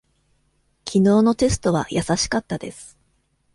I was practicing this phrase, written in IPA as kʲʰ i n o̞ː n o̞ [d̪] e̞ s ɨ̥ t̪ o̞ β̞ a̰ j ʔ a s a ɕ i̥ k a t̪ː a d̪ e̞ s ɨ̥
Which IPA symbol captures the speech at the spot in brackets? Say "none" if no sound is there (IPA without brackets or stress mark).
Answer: t̪